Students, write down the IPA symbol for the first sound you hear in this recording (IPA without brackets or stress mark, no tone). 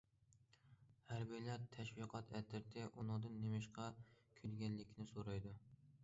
h